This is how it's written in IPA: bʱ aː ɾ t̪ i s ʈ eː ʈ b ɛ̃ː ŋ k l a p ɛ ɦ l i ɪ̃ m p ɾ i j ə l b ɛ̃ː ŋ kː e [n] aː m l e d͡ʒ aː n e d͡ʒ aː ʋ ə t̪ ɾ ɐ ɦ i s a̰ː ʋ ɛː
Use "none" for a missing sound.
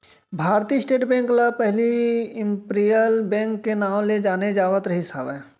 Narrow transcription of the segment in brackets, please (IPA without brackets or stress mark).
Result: n